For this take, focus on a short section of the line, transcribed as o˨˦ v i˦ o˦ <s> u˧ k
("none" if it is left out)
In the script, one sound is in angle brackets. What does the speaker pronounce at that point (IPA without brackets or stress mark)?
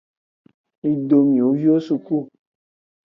s